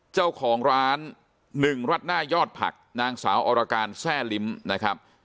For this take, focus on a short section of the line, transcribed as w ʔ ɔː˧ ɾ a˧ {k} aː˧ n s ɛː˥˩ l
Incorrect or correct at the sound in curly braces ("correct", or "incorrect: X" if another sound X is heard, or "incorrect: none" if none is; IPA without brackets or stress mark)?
correct